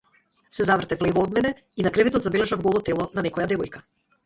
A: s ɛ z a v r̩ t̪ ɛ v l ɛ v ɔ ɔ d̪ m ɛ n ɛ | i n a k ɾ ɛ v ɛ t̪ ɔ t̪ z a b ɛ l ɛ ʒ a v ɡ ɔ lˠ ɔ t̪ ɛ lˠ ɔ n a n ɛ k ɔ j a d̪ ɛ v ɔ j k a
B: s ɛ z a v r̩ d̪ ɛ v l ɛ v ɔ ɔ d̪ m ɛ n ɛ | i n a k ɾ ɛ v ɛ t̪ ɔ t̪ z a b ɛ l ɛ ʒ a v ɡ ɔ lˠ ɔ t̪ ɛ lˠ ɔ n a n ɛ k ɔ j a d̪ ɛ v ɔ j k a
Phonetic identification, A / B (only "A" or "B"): A